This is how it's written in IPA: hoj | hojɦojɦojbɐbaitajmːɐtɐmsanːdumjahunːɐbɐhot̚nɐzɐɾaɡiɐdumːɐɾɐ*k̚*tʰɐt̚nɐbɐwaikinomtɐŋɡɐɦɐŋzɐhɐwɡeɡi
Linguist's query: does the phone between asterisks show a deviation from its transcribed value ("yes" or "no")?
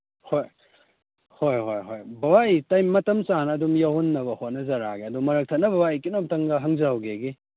no